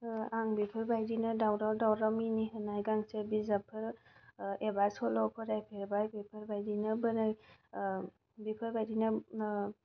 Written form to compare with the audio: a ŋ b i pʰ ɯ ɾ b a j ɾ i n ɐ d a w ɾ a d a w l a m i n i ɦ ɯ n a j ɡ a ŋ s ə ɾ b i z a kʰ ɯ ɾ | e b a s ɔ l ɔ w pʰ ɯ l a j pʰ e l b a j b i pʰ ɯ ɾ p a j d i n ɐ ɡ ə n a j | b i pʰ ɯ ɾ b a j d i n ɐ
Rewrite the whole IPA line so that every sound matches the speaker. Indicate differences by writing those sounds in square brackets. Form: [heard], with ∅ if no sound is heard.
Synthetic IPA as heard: a ŋ b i pʰ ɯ ɾ b a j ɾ i n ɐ d a w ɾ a d a w [ɾ] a m i n i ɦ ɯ n a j ɡ a ŋ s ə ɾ b i z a [pʰ] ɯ ɾ | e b a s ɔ l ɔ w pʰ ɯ [ɾ] a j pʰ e [ɾ] b a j b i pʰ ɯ ɾ [b] a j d i n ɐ [b] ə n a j | b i pʰ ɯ ɾ b a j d i n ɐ